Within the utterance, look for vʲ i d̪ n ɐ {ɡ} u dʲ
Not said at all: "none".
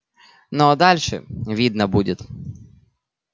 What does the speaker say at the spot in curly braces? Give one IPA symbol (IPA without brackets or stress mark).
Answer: b